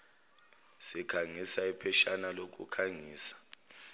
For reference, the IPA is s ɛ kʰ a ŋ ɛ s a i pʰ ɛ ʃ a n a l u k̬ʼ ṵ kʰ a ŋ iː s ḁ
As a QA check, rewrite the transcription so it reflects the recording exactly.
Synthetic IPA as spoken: s i kʰ a ŋ i s a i pʰ ɛ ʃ a n a l o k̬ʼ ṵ kʰ a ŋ iː s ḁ